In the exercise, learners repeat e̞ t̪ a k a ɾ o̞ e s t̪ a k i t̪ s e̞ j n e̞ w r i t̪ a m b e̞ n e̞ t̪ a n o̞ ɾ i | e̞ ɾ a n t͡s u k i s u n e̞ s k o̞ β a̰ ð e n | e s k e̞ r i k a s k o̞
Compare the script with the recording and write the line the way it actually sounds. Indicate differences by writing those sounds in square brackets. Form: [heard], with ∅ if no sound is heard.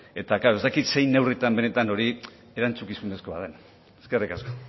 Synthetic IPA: e̞ t̪ a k a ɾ o̞ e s t̪ a k i t̪ s e̞ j n e̞ w r i t̪ a m b e̞ n e̞ t̪ a n o̞ ɾ i | e̞ ɾ a n t͡s u k i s u n e̞ s k o̞ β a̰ ð e n | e s k e̞ r i k a s k o̞